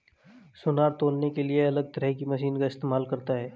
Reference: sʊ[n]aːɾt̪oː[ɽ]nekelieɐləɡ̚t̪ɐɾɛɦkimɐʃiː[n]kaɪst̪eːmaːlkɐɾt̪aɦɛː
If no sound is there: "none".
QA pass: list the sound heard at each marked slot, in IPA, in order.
n, l, n

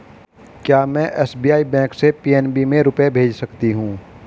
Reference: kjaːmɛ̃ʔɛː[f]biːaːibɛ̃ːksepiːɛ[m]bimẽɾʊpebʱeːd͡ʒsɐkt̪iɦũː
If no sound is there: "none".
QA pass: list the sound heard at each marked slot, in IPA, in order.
s, n

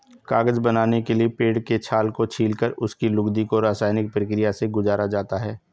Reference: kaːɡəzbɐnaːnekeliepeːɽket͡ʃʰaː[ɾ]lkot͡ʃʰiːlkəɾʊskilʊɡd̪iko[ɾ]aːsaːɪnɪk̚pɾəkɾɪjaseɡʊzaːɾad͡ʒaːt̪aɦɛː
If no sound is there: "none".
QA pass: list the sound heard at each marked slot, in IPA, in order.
none, ɾ

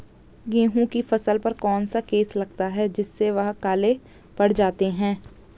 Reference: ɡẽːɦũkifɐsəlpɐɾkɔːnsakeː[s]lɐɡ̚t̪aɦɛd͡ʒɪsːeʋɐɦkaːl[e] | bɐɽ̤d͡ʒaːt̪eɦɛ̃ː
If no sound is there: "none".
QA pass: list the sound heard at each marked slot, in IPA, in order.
s, e

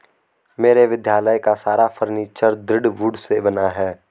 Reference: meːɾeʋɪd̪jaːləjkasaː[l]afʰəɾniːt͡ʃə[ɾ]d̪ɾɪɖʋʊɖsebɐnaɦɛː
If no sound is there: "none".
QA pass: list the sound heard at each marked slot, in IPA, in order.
ɾ, ɾ

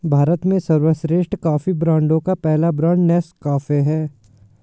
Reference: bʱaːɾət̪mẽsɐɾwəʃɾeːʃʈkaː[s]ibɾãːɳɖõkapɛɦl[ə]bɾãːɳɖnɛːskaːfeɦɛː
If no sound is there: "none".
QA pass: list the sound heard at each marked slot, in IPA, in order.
f, a

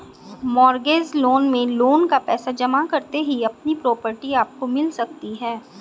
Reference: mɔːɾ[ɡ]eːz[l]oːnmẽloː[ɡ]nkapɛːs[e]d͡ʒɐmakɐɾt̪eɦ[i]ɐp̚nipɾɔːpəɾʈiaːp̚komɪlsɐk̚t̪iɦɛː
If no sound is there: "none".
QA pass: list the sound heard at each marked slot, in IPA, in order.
ɡ, l, none, a, i

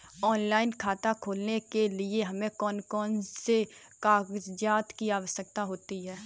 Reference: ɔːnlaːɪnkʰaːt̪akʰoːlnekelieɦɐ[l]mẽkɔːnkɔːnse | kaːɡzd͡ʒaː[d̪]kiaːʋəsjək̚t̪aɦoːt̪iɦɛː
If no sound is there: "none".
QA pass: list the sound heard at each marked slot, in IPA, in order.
none, t̪

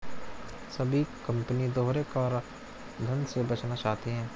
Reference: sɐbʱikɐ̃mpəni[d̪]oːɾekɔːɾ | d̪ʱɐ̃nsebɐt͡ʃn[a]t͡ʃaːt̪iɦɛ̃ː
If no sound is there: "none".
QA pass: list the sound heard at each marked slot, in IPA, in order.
d̪, a

